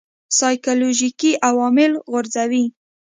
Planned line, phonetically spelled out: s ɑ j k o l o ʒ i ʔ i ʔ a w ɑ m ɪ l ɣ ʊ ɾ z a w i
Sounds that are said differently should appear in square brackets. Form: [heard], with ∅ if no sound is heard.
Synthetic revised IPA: s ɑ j k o l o ʒ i [k] i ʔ a w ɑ m ɪ l ɣ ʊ ɾ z a w i